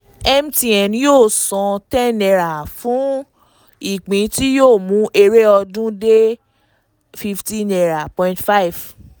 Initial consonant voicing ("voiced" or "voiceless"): voiced